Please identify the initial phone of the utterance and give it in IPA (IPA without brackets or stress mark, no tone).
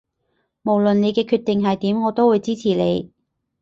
m